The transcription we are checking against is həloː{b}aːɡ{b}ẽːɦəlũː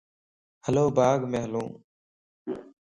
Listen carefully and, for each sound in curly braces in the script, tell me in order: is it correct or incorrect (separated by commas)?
correct, incorrect